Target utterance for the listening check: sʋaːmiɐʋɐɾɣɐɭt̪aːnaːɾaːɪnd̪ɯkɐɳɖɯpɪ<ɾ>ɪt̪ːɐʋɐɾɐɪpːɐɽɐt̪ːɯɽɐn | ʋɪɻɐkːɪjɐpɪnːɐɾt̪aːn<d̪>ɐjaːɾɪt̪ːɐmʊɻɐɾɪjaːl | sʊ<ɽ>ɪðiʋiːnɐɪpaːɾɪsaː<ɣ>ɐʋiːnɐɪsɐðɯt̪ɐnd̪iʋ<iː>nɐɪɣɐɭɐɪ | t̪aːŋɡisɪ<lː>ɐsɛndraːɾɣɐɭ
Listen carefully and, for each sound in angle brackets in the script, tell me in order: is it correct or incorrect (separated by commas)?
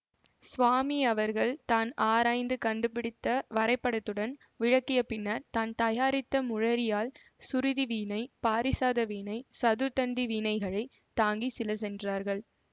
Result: incorrect, incorrect, incorrect, incorrect, correct, incorrect